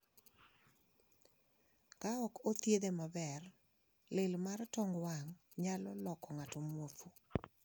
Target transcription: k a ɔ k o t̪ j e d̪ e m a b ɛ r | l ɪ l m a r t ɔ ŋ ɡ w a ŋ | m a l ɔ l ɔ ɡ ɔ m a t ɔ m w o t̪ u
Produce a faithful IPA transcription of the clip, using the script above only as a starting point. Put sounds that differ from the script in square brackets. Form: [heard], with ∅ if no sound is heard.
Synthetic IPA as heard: k a ɔ k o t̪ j e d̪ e m a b ɛ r | l ɪ l m a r t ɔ ŋ ɡ w a ŋ | [ɲ] a l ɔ l ɔ [k] ɔ [ŋ] a t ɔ m w o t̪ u